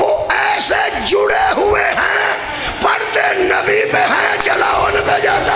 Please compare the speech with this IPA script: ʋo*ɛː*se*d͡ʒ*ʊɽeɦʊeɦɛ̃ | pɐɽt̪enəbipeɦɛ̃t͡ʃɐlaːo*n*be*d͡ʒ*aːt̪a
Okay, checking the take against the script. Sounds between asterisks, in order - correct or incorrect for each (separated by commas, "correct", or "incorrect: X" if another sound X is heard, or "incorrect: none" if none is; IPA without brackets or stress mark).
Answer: correct, correct, correct, correct